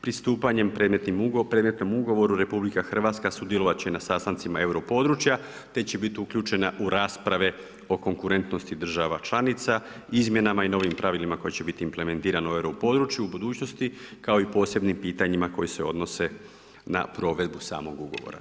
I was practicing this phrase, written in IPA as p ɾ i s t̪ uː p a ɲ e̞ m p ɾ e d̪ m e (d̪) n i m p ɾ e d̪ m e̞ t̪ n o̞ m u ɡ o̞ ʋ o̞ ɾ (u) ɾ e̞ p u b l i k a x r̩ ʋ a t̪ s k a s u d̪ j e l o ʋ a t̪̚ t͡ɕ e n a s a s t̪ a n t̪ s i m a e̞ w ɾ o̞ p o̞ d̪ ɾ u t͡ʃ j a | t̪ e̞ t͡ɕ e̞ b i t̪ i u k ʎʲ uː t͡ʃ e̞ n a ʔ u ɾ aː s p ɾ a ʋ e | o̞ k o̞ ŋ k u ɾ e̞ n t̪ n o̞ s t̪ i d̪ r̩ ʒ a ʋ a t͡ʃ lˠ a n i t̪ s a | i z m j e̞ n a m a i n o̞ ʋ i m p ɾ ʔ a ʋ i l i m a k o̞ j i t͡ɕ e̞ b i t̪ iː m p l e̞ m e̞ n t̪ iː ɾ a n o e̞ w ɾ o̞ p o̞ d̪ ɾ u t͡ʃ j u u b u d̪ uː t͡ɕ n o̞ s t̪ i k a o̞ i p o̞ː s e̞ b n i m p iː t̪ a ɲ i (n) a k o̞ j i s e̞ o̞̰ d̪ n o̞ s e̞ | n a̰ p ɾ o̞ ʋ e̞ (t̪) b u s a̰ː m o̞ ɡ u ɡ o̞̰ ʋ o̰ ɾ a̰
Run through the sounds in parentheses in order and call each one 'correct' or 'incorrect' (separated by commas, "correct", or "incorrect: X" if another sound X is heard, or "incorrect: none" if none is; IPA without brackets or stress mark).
incorrect: t̪, correct, incorrect: m, incorrect: d̪